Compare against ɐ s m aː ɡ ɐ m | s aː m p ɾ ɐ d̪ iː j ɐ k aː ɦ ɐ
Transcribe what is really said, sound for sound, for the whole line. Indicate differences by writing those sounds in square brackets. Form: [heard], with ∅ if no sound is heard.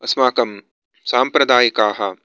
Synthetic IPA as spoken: ɐ s m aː [k] ɐ m | s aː m p ɾ ɐ d̪ [aː] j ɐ k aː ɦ ɐ